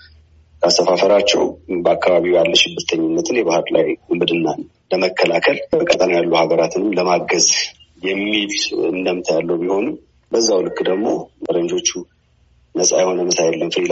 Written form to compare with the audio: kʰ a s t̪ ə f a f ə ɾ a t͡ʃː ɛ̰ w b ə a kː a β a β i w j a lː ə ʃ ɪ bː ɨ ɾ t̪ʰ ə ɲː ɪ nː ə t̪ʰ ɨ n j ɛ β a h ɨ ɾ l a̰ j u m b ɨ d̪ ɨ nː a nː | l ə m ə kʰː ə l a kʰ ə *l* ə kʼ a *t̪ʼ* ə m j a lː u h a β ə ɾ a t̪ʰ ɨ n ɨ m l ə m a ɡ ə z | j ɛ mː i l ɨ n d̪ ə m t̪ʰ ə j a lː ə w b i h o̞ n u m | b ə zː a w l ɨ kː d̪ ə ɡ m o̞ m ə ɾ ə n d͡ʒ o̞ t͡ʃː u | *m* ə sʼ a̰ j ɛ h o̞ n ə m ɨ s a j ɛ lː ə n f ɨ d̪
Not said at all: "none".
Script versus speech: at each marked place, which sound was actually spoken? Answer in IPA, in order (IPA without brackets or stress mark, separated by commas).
l, t̪ʼ, n